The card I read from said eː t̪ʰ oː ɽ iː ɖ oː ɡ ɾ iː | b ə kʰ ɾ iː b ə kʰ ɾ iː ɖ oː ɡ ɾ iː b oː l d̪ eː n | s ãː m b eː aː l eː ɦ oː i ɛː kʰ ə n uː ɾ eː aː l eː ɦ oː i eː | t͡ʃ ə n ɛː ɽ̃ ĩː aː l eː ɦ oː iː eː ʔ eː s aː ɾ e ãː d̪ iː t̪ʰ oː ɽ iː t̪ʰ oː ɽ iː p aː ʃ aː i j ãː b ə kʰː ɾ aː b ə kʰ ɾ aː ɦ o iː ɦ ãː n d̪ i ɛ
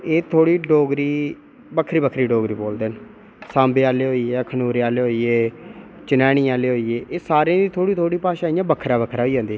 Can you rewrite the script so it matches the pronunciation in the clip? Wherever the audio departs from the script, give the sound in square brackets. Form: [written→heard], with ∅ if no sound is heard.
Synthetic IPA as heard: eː t̪ʰ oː ɽ iː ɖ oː ɡ ɾ iː | b ə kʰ ɾ iː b ə kʰ ɾ iː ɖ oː ɡ ɾ iː b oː l d̪ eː n | s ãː m b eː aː l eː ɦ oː i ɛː kʰ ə n uː ɾ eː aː l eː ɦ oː i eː | t͡ʃ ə n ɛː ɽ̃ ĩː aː l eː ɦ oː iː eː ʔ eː s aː ɾ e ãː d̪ iː t̪ʰ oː ɽ iː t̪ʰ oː ɽ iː p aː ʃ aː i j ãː b ə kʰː ɾ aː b ə kʰ ɾ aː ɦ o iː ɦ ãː n d̪ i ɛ